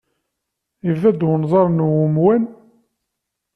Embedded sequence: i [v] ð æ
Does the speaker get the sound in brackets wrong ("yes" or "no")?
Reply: no